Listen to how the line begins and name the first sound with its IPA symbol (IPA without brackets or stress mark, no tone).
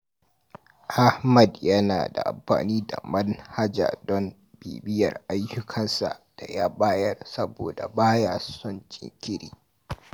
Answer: ʔ